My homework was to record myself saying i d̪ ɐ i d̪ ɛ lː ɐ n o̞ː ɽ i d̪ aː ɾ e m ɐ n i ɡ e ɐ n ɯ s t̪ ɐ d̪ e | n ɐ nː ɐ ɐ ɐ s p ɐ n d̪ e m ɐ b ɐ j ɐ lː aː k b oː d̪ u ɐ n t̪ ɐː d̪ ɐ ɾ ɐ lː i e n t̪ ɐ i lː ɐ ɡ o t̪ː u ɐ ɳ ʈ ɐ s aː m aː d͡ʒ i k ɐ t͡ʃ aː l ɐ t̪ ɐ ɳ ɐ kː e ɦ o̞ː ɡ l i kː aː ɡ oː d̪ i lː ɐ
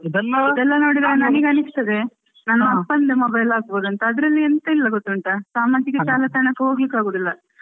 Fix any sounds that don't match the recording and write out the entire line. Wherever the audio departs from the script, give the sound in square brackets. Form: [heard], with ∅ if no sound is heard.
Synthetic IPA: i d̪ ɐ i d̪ ɛ lː ɐ n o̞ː ɽ i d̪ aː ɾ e [n] ɐ n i ɡ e ɐ n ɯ s t̪ ɐ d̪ e | n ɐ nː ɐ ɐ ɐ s p ɐ n d̪ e m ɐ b ɐ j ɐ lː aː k b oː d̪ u ɐ n t̪ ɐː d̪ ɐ ɾ ɐ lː i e n t̪ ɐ i lː ɐ ɡ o t̪ː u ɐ ɳ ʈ ɐ s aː m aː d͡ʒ i k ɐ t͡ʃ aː l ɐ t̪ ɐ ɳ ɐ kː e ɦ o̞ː ɡ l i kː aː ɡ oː d̪ i lː ɐ